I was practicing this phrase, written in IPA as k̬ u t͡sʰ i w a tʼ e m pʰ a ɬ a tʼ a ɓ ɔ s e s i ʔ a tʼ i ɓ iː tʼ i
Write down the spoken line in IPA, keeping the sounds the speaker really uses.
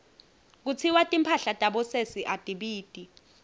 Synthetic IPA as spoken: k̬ u t͡sʰ i w a tʼ i m pʰ a ɬ a tʼ a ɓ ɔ s e s i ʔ a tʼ i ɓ iː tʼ i

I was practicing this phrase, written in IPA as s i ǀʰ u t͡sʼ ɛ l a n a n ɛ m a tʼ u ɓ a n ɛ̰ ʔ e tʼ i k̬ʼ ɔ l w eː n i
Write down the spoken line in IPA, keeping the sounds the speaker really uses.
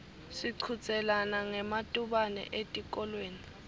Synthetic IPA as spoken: s i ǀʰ u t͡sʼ ɛ l a n a ŋ ɛ m a tʼ u ɓ a n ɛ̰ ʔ e tʼ i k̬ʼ ɔ l w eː n i

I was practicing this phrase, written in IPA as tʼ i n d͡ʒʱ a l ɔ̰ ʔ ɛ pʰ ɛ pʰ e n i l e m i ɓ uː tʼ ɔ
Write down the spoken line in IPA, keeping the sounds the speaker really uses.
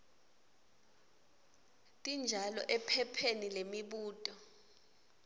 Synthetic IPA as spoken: tʼ i n d͡ʒʱ a l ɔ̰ ʔ ɛ pʰ ɛ pʰ e n i l e m i ɓ uː tʼ ɔ

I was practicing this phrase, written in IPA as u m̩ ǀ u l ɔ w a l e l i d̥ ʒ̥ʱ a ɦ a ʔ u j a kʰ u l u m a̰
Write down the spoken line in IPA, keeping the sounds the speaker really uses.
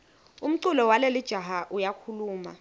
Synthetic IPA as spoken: u m̩ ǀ u l ɔ w a l e l i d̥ ʒ̥ʱ a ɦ a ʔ u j a kʰ u l uː m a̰

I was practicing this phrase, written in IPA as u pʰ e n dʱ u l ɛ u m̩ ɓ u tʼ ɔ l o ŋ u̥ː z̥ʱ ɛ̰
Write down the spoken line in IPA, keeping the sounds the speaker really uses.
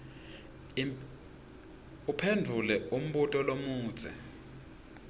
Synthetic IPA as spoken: u pʰ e n dʱ u l ɛ u m̩ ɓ u tʼ ɔ l o m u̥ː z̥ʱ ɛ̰

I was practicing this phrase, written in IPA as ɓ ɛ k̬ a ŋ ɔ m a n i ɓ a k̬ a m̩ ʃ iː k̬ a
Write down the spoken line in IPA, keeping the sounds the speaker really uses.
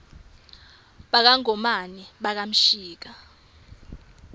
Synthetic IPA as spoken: ɓ a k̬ a ŋ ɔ m a n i ɓ a k̬ a m̩ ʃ iː k̬ a

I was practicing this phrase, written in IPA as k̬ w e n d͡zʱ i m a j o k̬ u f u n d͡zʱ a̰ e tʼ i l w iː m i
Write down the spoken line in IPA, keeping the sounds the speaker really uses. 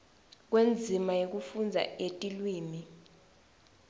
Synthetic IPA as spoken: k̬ w e n d͡zʱ i m a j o k̬ u f u n d͡zʱ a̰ e tʼ i l w iː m i

